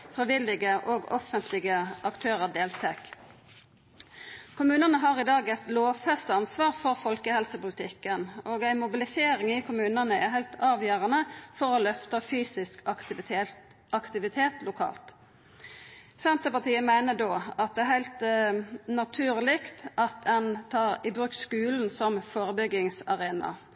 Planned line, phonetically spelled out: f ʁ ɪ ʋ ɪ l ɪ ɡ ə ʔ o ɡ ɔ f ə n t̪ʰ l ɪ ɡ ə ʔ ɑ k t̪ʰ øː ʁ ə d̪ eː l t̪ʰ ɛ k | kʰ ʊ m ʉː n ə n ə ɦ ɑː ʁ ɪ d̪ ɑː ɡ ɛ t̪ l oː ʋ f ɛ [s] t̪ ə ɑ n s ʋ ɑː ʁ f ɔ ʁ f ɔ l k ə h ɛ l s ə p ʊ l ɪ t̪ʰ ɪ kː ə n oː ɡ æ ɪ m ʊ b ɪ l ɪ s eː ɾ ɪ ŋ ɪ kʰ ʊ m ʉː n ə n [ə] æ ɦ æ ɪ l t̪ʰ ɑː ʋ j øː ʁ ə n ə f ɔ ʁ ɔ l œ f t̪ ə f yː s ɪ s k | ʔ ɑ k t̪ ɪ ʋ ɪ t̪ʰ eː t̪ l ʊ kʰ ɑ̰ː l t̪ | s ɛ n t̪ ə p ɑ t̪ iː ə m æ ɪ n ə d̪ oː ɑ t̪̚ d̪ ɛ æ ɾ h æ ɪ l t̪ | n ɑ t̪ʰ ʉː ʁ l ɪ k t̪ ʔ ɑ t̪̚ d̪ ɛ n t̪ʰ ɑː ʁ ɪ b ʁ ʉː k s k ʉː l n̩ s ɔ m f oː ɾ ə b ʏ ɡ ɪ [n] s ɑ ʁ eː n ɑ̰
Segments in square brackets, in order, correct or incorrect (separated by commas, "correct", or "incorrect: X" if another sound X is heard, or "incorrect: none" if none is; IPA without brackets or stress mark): correct, correct, incorrect: ŋ